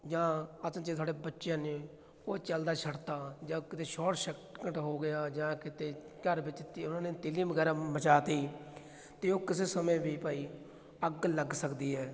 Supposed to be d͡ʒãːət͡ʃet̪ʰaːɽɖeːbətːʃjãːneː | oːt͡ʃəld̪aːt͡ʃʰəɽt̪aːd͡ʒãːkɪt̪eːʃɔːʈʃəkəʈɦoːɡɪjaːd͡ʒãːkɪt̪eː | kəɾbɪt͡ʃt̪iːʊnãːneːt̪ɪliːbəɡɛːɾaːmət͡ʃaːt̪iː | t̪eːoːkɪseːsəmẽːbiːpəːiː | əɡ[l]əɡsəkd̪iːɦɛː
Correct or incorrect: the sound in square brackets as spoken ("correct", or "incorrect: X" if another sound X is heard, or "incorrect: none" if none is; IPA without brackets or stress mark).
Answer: correct